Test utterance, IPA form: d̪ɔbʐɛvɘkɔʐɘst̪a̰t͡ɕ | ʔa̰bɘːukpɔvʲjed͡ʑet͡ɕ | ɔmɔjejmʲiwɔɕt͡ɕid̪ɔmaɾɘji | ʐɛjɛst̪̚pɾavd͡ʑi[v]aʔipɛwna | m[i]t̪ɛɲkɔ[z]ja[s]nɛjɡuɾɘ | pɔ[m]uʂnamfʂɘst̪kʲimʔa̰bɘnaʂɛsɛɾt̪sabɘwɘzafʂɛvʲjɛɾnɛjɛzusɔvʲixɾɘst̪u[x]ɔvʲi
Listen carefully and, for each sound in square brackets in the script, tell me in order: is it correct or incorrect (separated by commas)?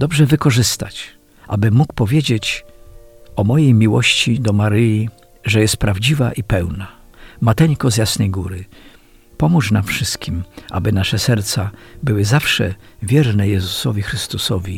correct, incorrect, correct, correct, correct, incorrect